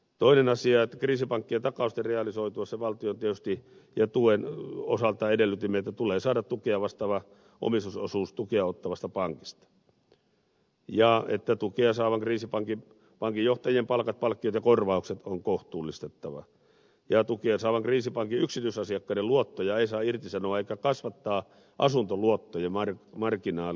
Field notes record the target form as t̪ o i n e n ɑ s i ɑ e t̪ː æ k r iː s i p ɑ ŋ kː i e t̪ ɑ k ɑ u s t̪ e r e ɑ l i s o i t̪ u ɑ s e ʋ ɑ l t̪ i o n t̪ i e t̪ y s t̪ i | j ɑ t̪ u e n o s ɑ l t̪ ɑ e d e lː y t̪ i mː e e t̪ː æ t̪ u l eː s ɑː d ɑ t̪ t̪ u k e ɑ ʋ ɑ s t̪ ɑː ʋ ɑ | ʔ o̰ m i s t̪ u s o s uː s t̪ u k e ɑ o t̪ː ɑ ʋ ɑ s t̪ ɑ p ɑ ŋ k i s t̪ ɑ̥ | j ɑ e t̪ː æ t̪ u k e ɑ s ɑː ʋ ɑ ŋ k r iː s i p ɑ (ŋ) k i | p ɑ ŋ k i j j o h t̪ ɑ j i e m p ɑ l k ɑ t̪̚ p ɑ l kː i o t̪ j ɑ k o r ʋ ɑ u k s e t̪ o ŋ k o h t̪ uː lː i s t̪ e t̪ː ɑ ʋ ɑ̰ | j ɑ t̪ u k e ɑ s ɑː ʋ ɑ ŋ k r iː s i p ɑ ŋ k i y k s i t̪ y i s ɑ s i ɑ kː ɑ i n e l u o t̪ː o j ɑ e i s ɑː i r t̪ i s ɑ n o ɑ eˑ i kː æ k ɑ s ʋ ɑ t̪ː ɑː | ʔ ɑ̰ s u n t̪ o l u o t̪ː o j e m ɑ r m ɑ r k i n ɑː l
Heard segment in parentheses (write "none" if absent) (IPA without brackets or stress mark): ŋ